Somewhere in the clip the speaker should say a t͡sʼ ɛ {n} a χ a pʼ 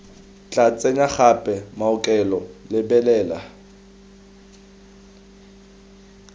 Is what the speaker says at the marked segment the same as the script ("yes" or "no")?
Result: no